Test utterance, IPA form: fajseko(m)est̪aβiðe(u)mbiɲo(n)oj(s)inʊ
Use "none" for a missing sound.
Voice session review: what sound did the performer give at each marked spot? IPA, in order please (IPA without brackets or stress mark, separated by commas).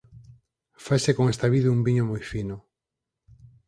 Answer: ŋ, u, m, f